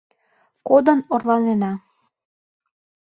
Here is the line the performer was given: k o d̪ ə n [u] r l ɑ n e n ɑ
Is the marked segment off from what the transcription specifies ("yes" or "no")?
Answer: yes